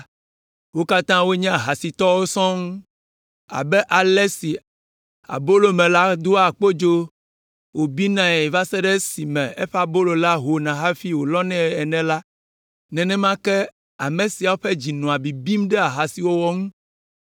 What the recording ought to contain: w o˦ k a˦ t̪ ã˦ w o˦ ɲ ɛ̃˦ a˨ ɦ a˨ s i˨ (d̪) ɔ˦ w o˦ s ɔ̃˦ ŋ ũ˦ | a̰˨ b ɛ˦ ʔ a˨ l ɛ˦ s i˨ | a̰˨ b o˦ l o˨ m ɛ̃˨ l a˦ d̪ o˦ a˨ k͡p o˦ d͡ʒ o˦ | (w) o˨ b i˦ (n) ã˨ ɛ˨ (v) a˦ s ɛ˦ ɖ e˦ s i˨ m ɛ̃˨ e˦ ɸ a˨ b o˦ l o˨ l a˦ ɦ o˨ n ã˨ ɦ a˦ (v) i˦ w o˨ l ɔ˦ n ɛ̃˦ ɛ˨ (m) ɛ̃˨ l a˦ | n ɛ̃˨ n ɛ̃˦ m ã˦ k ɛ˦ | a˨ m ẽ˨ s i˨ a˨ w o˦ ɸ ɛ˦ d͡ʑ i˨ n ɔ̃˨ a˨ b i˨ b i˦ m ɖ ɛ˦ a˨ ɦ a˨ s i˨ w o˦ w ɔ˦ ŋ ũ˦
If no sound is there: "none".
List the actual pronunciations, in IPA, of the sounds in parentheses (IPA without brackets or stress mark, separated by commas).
t̪, w, n, v, f, n